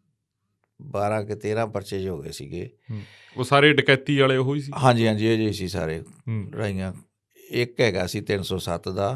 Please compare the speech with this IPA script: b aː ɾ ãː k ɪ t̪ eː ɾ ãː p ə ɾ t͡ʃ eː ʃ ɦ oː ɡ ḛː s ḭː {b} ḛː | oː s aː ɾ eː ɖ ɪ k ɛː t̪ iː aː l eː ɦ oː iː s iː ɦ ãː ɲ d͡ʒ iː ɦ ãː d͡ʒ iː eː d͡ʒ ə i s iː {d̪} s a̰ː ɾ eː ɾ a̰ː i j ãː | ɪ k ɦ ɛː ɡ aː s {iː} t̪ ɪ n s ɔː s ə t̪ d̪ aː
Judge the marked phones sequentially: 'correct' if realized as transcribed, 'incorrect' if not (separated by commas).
incorrect, incorrect, correct